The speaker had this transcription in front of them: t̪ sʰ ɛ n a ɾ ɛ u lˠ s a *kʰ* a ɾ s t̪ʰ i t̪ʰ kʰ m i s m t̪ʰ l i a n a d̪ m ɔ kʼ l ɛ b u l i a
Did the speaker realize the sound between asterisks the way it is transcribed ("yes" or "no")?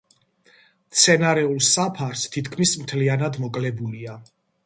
no